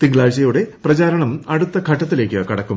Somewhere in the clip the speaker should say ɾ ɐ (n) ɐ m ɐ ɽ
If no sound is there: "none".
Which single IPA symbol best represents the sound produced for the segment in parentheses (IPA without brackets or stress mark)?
ɳ